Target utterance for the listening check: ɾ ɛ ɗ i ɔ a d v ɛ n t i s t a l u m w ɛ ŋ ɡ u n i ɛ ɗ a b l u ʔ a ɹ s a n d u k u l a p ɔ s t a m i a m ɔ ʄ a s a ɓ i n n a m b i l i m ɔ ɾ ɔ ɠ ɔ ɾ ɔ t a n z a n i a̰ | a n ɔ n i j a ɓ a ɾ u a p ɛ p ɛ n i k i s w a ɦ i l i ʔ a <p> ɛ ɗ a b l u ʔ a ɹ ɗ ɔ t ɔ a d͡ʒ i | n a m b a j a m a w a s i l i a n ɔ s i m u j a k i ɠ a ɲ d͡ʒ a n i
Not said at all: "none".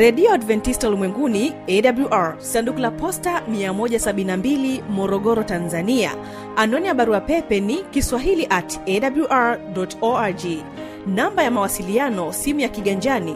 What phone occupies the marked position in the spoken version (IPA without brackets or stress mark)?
t